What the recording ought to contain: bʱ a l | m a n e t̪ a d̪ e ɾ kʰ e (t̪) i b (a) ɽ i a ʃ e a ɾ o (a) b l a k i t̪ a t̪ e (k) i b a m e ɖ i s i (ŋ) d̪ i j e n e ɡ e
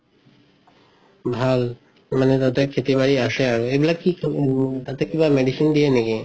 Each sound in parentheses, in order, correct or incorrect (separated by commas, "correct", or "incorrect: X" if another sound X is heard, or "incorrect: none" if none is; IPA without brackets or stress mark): correct, correct, incorrect: e, correct, incorrect: n